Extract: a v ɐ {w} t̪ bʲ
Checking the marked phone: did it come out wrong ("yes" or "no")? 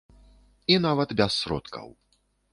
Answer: yes